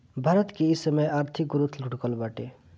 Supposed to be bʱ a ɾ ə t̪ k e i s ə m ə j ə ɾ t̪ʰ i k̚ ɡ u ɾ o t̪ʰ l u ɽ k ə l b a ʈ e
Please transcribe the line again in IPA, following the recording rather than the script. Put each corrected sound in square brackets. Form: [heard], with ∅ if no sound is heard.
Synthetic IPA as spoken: bʱ a ɾ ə t̪ k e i s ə m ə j [a] ɾ t̪ʰ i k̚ ɡ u ɾ [u] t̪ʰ l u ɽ k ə l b a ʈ e